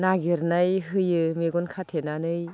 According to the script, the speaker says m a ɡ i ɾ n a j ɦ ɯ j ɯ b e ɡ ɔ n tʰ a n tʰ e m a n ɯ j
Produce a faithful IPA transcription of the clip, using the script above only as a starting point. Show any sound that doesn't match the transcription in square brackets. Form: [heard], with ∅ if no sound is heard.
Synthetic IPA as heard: [n] a ɡ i ɾ n a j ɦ ɯ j ɯ [m] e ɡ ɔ n [kʰ] a [∅] tʰ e [n] a n ɯ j